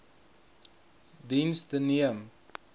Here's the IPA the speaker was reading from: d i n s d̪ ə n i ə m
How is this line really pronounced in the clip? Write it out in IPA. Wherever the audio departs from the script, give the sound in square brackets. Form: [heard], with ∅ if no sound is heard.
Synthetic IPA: d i n s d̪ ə n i ə m